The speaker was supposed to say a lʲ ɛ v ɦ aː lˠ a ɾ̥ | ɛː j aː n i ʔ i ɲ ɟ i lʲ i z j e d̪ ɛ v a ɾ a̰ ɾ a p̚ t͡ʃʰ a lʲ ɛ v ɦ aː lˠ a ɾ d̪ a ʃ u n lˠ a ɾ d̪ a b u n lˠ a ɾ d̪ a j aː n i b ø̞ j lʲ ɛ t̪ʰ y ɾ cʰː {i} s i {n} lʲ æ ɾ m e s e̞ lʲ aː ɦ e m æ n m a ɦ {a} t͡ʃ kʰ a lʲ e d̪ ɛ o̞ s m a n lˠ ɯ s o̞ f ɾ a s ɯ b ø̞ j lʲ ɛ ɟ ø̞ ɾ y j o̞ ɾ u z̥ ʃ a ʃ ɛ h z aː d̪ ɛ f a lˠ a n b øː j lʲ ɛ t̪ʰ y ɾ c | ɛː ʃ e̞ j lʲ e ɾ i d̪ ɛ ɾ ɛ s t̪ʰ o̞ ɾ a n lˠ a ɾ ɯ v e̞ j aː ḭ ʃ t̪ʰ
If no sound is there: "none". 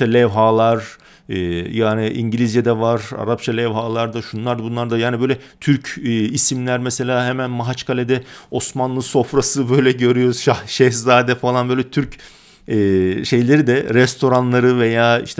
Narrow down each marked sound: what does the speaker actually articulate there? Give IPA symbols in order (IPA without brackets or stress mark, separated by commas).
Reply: i, m, a